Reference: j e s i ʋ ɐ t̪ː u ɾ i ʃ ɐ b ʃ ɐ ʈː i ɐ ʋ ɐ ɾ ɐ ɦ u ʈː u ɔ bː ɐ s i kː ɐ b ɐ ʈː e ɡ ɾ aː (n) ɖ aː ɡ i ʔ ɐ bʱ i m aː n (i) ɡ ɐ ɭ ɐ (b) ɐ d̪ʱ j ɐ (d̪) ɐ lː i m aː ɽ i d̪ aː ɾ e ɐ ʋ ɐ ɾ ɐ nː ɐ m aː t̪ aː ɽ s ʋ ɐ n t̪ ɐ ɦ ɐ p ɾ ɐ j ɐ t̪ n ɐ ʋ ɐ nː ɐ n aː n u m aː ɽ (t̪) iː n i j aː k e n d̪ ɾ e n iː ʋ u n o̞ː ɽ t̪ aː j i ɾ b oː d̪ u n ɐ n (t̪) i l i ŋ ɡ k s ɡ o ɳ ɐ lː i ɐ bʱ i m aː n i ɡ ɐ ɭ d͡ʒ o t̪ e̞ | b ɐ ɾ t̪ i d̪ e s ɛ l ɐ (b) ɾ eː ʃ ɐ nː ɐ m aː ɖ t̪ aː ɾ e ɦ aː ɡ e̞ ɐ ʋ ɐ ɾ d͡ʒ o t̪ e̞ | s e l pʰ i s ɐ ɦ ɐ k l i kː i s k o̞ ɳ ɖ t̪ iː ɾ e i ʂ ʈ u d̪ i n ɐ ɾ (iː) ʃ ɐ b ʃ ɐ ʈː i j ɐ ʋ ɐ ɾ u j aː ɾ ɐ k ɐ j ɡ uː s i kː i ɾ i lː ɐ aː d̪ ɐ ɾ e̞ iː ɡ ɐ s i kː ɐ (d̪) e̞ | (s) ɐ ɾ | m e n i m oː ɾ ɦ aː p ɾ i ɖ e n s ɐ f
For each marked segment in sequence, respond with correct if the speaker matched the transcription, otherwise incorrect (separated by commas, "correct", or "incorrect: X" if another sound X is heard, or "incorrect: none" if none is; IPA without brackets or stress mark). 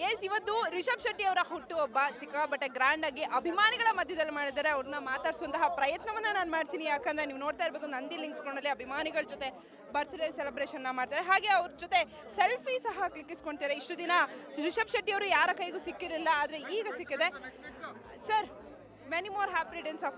incorrect: ɳ, correct, incorrect: m, correct, correct, incorrect: d̪, correct, incorrect: i, correct, correct